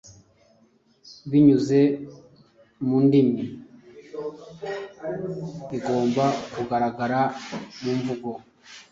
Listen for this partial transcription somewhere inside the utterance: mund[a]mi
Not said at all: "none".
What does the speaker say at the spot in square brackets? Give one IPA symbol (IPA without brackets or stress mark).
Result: i